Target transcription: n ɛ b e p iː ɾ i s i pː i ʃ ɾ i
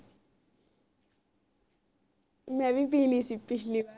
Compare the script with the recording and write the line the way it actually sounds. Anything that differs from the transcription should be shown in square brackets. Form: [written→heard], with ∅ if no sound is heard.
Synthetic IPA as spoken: [n→m] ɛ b [e→i] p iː [ɾ→l] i s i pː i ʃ [ɾ→l] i